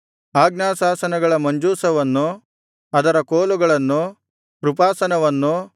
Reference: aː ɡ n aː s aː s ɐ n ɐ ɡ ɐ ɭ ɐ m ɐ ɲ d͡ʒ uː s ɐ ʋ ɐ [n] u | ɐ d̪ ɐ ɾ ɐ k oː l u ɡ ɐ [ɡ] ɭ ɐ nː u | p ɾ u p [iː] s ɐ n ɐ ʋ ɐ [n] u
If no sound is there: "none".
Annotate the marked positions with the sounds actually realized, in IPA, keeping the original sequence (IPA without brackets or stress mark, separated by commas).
nː, none, aː, nː